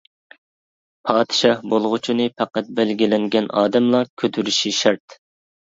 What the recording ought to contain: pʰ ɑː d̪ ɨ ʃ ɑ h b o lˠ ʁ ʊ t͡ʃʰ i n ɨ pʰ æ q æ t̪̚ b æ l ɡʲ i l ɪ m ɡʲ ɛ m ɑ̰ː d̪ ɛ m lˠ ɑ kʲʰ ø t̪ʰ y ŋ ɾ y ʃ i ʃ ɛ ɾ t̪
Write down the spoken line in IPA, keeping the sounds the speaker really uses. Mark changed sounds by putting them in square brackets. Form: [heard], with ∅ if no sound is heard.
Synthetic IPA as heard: pʰ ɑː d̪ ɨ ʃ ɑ h b o lˠ ʁ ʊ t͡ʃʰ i n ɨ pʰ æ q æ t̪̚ b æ l ɡʲ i l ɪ [ŋ] ɡʲ ɛ [n] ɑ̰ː d̪ ɛ m lˠ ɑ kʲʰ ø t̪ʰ y [∅] ɾ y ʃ i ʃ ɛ ɾ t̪